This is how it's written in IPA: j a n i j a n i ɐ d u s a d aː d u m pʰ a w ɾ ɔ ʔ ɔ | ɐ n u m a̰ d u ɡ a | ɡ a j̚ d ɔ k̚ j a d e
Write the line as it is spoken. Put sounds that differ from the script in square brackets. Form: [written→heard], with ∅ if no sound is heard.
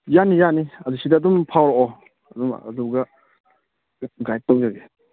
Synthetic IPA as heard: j a n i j a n i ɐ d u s [a→i] d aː d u m pʰ a w ɾ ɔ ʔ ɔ | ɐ [n→d] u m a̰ d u ɡ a | ɡ a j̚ [d→t] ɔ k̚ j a [d→ɡ] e